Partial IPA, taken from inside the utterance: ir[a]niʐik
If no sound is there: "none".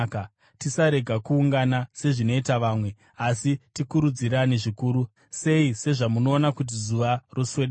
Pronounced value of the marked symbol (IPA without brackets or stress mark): a